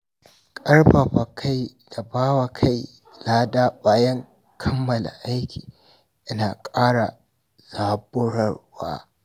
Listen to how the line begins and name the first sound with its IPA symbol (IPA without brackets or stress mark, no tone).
kʼ